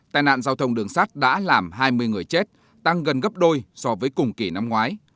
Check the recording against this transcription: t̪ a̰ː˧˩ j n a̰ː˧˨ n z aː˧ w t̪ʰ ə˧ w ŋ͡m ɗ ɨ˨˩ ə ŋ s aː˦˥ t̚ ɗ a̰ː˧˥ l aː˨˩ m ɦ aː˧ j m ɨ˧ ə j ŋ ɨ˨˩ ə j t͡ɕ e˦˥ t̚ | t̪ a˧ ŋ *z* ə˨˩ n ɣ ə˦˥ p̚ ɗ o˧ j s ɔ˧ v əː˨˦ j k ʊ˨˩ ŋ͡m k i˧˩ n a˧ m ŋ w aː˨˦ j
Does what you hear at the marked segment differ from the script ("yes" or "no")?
yes